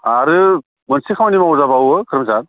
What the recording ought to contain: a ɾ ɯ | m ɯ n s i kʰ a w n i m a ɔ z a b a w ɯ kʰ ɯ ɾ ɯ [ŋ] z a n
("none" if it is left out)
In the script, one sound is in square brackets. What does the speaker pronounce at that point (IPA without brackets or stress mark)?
m